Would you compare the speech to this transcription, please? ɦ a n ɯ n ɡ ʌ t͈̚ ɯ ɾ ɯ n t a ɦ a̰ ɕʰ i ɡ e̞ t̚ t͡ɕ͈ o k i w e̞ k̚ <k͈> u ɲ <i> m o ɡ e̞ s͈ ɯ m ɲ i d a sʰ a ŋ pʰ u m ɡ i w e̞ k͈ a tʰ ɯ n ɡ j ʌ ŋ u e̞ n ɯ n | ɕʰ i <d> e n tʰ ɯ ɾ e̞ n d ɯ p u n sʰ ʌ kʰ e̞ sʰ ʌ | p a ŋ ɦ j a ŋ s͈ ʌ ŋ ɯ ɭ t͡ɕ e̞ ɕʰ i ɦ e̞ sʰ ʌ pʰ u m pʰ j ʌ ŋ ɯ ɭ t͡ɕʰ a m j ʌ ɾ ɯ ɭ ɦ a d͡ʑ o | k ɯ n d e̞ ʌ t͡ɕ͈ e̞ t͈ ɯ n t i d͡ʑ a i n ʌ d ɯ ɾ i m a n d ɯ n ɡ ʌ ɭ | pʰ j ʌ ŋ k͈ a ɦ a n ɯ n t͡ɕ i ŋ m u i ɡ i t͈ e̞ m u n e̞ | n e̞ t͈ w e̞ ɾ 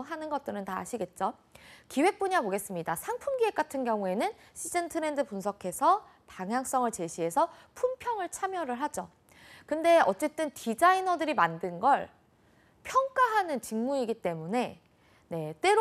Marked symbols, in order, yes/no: no, no, no

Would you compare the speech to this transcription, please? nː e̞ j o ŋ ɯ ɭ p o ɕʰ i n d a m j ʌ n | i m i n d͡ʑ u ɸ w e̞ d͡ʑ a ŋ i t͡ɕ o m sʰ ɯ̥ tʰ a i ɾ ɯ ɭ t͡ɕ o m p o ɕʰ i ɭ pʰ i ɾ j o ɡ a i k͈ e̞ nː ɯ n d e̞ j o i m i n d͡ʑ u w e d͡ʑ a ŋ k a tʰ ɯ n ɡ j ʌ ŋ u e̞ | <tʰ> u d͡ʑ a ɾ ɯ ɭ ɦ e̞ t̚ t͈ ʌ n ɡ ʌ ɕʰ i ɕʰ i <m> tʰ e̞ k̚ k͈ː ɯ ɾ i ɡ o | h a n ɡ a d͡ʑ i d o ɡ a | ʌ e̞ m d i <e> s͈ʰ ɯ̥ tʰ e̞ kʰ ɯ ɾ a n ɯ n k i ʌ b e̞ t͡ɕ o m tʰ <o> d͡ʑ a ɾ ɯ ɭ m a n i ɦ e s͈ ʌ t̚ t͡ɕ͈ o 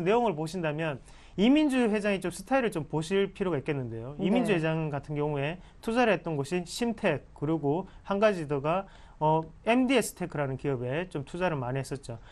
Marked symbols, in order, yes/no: yes, yes, yes, no

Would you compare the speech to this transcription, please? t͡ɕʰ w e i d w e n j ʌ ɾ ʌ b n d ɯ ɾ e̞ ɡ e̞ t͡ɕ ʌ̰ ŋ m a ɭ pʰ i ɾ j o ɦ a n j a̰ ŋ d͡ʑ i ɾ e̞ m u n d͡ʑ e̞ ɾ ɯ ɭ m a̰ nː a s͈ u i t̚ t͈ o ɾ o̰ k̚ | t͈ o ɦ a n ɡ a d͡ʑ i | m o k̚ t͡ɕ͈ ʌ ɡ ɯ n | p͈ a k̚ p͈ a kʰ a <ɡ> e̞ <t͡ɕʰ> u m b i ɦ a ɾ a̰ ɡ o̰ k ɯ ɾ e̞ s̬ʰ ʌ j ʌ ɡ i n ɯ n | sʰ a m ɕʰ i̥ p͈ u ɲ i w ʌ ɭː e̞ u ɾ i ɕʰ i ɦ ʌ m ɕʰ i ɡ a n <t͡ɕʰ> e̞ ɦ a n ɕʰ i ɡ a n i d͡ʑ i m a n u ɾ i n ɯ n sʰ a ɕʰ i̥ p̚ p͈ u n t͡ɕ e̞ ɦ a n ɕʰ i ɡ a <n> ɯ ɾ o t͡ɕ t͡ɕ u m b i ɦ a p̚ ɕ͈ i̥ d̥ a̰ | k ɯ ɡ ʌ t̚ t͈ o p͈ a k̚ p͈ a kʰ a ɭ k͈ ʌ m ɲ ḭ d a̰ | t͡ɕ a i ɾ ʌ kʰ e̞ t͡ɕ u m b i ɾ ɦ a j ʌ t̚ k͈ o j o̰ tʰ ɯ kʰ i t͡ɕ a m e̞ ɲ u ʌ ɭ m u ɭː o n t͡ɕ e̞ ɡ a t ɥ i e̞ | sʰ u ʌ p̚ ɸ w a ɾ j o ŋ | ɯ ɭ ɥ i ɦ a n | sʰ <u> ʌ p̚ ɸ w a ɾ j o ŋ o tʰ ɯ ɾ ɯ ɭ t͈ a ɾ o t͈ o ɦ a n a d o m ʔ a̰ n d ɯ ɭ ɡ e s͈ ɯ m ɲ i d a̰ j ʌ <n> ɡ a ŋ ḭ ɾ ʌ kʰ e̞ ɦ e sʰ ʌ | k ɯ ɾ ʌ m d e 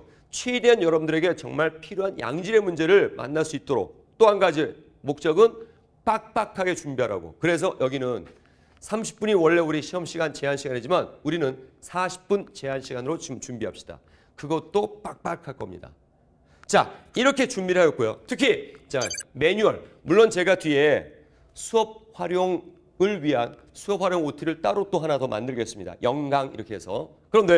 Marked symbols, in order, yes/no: yes, no, no, yes, yes, no

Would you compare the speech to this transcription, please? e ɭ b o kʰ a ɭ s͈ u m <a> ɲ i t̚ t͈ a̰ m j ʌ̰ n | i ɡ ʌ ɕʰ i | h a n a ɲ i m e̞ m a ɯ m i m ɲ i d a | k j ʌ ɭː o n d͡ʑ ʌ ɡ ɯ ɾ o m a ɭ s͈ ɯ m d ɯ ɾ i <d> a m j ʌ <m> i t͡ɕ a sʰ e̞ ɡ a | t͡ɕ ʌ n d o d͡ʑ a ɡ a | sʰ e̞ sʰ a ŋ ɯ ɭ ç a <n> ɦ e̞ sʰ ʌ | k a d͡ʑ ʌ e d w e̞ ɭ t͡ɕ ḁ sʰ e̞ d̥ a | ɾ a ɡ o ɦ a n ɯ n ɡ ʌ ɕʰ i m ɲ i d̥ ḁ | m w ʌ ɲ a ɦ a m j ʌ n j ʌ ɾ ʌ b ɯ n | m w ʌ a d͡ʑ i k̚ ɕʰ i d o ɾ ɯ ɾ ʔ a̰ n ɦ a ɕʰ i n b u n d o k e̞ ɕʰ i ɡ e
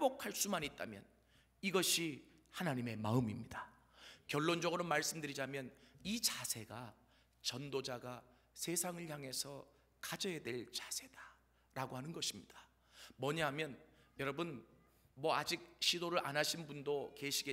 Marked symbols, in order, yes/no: yes, no, no, no

